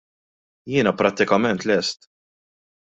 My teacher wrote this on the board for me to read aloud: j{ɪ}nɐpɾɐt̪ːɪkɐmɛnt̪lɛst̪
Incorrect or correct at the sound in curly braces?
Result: incorrect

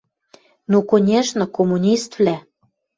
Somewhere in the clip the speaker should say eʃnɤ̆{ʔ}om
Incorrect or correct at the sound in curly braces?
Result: incorrect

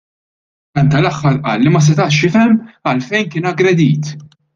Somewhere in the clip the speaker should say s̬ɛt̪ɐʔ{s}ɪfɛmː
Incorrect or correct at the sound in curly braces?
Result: incorrect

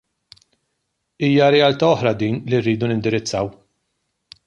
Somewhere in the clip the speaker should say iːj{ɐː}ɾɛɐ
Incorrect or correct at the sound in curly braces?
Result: incorrect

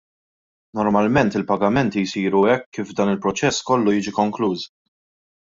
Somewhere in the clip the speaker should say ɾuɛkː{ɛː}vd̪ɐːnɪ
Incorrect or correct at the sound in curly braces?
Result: incorrect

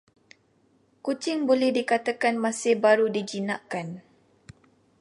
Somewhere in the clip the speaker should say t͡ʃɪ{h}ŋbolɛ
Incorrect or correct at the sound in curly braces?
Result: incorrect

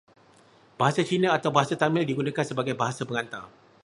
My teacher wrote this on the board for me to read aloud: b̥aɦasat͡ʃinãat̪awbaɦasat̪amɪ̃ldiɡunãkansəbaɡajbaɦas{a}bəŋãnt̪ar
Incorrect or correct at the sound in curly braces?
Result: correct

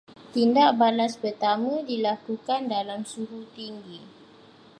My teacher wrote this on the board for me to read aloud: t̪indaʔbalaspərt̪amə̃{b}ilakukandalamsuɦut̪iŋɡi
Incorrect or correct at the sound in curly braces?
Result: incorrect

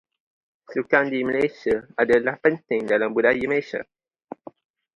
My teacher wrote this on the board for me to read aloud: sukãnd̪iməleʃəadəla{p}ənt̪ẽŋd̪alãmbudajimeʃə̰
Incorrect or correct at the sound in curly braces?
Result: correct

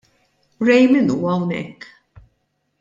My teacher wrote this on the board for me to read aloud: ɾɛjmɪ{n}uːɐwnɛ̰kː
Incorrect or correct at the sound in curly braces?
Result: correct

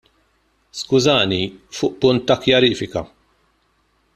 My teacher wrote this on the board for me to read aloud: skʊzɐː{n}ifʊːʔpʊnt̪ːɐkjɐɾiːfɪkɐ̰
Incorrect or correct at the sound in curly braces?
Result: correct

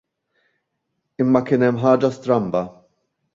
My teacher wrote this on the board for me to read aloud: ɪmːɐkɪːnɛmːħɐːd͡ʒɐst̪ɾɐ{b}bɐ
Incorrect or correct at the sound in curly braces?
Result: incorrect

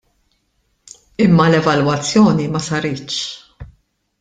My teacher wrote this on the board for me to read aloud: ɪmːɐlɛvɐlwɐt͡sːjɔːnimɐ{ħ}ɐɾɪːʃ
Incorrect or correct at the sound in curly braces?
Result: incorrect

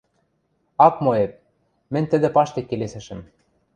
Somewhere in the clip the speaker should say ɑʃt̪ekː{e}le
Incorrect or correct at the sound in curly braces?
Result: correct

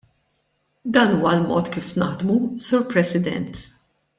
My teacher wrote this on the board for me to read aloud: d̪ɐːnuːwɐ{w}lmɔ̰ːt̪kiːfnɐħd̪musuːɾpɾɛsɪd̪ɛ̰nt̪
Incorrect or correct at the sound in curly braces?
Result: incorrect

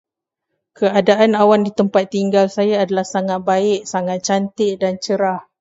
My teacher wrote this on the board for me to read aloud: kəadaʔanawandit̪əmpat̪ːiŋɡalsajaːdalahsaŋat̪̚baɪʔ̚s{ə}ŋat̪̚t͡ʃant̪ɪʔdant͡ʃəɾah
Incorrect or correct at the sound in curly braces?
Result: incorrect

